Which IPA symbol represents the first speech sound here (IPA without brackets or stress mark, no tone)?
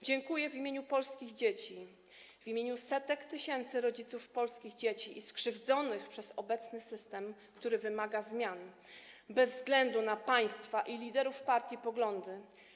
d͡ʑ